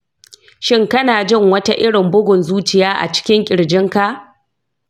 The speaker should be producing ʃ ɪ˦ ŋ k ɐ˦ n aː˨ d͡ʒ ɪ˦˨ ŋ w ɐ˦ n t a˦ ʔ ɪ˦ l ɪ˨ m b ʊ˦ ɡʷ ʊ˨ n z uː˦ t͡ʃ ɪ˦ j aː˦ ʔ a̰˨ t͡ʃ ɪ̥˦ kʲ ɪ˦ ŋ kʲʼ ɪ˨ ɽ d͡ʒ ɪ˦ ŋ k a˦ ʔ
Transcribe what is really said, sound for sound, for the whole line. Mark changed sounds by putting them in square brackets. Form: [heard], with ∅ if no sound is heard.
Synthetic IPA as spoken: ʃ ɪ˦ ŋ k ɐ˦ n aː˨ d͡ʒ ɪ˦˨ ŋ w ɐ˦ [∅] t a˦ ʔ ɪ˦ [ɽ] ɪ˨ m b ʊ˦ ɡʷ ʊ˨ n z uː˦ t͡ʃ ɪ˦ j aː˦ ʔ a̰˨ t͡ʃ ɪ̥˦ kʲ ɪ˦ ŋ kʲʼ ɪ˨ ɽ d͡ʒ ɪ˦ ŋ k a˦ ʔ